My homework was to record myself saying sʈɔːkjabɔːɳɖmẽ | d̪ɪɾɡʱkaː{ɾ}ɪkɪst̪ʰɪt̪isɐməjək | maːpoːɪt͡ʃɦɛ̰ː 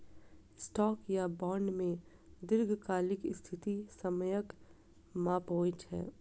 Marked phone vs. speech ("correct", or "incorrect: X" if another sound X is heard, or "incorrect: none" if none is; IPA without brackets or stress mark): incorrect: l